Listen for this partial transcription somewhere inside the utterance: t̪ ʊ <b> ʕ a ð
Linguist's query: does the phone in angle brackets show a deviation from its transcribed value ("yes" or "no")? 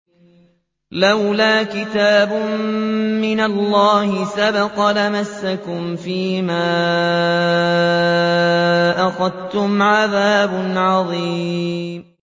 yes